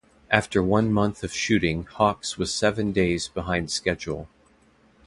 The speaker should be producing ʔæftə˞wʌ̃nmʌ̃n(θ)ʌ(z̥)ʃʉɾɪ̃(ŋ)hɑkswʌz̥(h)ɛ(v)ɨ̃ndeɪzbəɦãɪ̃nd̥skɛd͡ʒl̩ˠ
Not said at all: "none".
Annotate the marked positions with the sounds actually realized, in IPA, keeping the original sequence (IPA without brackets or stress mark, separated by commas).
θ, v̥, ŋ, s, v